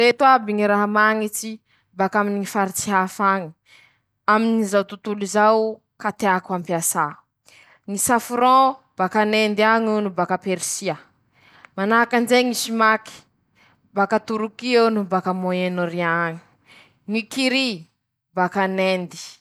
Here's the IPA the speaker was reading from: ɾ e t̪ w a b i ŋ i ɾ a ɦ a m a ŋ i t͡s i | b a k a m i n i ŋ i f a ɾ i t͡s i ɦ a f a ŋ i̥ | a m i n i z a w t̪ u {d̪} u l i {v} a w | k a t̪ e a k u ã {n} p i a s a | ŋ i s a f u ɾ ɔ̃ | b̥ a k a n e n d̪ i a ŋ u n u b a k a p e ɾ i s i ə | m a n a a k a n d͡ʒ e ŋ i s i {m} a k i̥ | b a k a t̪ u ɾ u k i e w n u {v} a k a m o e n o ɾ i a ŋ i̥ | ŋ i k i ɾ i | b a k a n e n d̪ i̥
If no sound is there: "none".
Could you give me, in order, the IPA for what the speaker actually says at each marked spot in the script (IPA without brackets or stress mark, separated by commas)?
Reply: t̪, z, m, m, b